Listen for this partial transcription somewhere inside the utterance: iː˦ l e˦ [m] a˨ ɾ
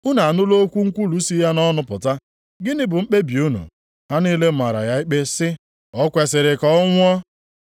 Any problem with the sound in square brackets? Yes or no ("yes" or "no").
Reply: no